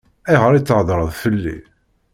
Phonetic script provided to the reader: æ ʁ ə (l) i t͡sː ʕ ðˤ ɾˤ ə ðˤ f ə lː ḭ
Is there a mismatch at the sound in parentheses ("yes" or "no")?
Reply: yes